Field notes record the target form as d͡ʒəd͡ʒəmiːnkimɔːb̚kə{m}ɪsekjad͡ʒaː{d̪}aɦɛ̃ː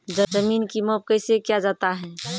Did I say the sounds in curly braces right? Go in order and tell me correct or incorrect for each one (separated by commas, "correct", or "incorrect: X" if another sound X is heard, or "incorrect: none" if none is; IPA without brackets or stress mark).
incorrect: none, incorrect: t̪